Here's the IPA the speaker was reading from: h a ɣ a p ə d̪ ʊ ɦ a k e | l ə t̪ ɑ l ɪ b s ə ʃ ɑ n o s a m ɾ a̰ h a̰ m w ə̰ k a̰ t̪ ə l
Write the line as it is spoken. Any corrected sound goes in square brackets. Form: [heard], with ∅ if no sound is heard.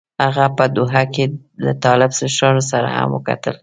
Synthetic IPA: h a ɣ a p ə d̪ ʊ ɦ a k e | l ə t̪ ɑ l ɪ b s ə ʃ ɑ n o s a [∅] ɾ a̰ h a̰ m w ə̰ k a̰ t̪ ə l